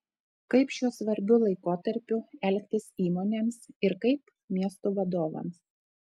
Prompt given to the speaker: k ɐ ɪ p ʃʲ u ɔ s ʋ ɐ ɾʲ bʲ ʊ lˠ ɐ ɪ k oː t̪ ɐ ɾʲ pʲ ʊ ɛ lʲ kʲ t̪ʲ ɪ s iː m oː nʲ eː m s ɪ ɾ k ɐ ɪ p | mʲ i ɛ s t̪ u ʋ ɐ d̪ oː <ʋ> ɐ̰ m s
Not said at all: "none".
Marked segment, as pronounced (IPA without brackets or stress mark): ʋ